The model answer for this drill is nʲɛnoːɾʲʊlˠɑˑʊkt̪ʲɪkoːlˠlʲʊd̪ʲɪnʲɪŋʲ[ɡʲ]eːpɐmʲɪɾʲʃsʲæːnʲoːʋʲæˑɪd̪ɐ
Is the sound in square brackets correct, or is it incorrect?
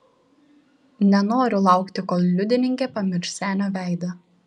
incorrect